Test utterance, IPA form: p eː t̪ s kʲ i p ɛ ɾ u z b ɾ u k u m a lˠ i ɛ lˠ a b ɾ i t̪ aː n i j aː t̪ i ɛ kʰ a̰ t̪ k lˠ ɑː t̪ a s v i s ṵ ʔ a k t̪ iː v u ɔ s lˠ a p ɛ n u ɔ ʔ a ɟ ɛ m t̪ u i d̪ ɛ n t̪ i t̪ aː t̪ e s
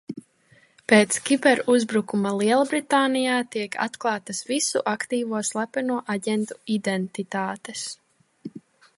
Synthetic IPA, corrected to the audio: p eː t̪ s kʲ i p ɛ ɾ u z b ɾ u k u m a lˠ i ɛ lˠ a b ɾ i t̪ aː n i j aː t̪ i ɛ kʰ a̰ t̪ k lˠ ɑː t̪ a s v i s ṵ ʔ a k t̪ iː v u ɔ s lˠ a p ɛ n u ɔ ʔ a ɟ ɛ n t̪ u i d̪ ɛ n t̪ i t̪ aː t̪ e s